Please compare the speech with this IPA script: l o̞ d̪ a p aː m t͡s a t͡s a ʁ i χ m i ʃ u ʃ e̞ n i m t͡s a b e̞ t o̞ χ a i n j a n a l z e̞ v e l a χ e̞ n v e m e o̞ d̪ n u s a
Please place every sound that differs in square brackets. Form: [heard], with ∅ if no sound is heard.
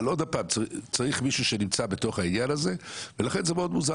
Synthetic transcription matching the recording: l o̞ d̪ a p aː m t͡s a t͡s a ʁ i χ m i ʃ u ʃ e̞ n i m t͡s a b e̞ t o̞ χ a i n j a n a [∅] z e̞ v e l a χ e̞ n [z] e m e o̞ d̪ [m] u [z] a